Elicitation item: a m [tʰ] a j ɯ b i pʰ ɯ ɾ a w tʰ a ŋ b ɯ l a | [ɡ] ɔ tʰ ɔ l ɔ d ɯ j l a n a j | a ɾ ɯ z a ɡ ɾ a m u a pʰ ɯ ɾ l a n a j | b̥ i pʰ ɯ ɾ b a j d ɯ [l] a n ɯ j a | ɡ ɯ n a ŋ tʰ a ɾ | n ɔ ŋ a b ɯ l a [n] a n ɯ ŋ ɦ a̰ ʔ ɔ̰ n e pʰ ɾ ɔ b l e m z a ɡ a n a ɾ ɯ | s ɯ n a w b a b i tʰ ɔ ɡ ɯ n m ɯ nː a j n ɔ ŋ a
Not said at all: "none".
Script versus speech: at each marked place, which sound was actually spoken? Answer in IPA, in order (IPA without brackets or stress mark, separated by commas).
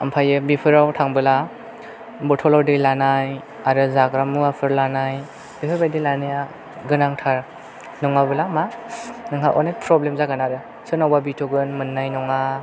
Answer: pʰ, b, l, m